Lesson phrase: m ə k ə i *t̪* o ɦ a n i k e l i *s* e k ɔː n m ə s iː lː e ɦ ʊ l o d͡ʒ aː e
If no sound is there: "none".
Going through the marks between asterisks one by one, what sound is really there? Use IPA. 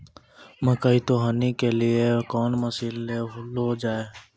t̪, none

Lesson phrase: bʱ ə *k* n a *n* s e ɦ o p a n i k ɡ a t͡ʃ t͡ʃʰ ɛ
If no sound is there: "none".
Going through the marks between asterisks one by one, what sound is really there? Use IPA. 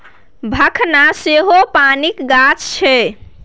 kʰ, none

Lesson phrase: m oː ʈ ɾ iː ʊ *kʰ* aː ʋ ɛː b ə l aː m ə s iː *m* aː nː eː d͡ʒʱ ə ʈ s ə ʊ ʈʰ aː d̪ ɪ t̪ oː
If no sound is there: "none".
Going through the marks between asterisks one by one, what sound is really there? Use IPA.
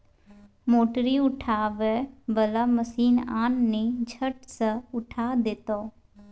ʈʰ, n

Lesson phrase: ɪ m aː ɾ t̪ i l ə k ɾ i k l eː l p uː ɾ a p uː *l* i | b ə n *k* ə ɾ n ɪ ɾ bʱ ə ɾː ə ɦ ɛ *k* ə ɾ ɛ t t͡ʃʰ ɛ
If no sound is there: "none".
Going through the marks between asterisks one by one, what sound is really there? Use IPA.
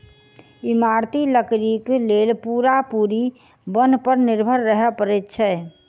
ɾ, p, p

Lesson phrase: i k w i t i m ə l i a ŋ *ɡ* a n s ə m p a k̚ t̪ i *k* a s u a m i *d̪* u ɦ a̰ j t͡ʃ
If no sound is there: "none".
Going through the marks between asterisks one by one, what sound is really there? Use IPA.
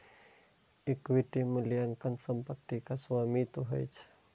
k, k, t̪

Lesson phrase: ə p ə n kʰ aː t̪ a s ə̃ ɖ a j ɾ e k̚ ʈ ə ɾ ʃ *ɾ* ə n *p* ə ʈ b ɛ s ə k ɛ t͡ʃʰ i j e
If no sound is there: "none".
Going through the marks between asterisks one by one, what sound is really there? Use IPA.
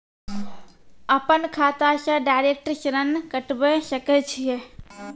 ɾ, k

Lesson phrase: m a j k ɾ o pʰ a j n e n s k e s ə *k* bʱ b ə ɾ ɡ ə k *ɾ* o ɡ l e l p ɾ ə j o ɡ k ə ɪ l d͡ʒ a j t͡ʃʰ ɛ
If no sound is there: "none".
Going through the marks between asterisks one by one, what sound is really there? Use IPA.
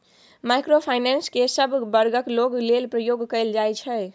none, l

